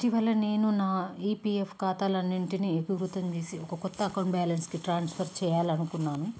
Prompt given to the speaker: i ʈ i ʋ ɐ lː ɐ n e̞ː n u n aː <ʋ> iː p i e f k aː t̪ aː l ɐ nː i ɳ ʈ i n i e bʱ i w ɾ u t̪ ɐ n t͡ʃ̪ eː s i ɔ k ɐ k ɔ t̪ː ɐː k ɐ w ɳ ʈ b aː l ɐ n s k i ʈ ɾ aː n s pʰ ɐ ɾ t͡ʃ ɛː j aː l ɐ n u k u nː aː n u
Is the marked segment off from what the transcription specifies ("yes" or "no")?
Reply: yes